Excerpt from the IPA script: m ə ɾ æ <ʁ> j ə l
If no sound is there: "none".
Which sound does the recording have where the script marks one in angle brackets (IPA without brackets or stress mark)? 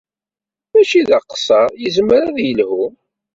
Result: ð